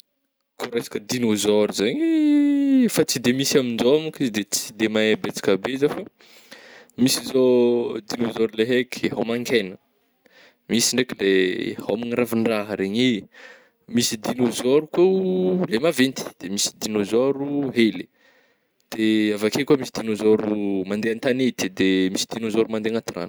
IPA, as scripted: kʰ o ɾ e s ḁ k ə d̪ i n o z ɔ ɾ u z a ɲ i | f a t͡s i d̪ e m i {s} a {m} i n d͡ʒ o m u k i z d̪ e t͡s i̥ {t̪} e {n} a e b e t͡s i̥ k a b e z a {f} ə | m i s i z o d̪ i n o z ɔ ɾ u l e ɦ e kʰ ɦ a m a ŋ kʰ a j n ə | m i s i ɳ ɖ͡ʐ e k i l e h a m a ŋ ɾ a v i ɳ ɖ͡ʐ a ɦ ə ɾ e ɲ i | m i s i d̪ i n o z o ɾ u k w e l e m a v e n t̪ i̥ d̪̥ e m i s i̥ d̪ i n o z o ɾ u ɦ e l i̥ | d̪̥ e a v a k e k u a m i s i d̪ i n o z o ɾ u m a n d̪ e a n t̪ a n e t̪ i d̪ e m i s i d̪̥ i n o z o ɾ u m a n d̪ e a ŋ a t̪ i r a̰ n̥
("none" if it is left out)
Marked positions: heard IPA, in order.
s, m, d̪, m, f

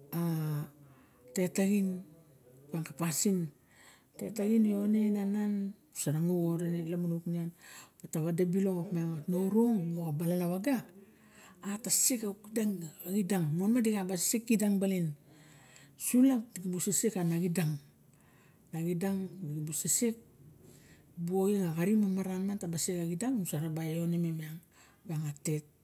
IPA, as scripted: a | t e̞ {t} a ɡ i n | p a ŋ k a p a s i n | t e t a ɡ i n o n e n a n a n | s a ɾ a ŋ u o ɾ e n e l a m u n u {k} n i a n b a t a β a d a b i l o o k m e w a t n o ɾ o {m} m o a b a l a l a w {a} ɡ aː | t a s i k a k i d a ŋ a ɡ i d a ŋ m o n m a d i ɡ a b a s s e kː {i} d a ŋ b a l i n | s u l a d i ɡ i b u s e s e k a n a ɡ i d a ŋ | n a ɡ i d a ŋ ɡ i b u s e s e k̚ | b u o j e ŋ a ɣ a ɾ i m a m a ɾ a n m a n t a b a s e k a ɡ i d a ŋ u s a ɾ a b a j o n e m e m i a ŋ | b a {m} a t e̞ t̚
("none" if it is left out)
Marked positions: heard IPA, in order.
t, k, ŋ, a, i, ŋ

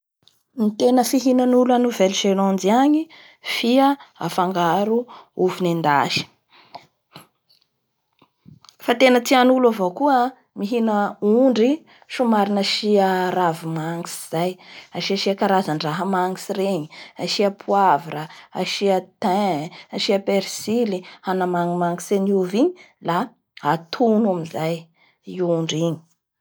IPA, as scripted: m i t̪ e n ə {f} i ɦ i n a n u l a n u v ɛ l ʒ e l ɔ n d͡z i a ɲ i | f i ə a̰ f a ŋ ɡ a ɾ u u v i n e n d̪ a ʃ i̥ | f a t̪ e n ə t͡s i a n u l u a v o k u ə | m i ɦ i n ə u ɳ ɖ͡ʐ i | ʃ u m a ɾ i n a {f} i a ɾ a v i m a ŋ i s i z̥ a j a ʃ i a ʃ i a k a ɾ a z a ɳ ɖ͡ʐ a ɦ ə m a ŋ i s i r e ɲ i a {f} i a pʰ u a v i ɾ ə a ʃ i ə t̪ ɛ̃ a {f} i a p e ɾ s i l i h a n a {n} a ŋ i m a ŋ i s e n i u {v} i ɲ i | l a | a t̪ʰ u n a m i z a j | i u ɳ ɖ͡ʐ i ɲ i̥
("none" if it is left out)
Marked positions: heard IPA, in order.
f, ʃ, ʃ, ʃ, m, v

